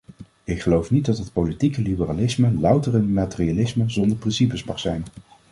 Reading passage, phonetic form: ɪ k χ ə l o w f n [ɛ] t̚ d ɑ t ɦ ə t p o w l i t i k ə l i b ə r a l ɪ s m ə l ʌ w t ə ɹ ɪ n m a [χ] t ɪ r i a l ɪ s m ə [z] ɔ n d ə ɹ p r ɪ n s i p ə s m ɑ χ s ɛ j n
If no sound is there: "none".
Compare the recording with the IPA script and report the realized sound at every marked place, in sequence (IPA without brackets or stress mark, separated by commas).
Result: i, none, z